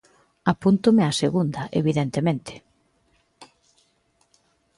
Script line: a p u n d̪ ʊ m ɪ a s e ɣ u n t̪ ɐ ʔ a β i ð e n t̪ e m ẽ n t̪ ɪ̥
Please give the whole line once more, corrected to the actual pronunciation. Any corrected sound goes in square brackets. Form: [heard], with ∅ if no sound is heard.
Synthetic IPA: a p u n [t̪] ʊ m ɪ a s e ɣ u n [d̪] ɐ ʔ [e] β i ð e n t̪ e m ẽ n t̪ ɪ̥